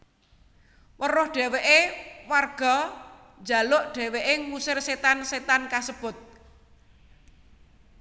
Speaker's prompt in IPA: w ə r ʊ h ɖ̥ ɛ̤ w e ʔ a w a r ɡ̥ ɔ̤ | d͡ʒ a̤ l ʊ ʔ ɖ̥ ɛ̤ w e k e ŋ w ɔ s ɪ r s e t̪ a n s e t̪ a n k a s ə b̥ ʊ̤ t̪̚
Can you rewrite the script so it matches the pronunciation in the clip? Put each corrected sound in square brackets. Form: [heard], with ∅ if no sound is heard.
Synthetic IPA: w ə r ʊ h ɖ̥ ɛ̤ w e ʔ [e] w a r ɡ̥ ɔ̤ | d͡ʒ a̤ l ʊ ʔ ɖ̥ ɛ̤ w e [ʔ] e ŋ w [u] s ɪ r s e t̪ a n s e t̪ a n k a s ə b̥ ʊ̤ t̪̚